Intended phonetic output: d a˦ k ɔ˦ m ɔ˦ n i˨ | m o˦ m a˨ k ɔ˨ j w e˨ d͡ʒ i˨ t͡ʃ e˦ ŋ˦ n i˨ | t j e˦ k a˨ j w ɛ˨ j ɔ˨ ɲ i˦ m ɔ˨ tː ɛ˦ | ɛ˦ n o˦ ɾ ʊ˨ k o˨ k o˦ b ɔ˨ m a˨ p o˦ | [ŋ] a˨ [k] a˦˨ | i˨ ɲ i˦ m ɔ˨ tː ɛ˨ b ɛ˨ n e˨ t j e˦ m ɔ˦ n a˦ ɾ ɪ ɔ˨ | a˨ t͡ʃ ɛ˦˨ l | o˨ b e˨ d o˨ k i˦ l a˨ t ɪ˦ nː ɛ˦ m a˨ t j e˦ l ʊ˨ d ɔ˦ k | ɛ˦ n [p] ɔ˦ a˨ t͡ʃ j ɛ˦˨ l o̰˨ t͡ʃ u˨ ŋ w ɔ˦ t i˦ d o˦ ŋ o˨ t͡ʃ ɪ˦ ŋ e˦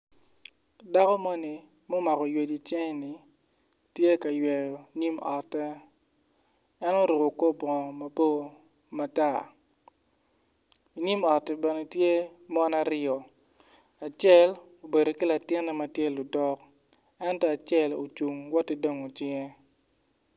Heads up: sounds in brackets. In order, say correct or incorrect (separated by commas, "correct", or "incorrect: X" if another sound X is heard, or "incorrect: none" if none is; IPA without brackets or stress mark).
incorrect: m, incorrect: t, incorrect: t